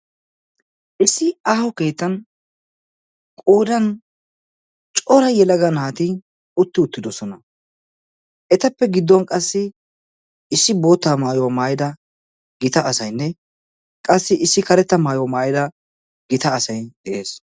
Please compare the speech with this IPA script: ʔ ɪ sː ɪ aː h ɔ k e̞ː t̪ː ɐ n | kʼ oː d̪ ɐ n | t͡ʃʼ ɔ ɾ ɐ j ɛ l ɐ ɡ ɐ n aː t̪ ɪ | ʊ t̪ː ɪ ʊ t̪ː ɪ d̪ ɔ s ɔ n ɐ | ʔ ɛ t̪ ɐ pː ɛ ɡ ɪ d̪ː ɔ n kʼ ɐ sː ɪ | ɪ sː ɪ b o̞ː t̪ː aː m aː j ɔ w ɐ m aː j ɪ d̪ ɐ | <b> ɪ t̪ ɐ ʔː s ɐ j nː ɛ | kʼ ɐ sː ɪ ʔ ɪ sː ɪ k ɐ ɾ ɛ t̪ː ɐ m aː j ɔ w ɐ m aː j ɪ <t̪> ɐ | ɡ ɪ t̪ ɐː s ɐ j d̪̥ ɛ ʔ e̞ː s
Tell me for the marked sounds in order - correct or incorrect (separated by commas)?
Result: incorrect, incorrect